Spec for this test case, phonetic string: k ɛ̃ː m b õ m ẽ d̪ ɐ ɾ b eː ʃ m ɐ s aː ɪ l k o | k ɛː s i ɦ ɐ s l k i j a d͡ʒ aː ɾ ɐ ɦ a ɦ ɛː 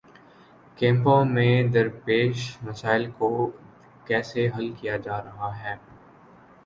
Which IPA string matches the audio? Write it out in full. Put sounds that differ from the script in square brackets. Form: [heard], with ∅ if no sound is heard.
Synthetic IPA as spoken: k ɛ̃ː m [p] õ m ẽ d̪ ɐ ɾ [p] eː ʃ m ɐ s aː ɪ l k o | k ɛː s [e] ɦ ɐ [∅] l k i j a d͡ʒ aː ɾ ɐ ɦ a ɦ ɛː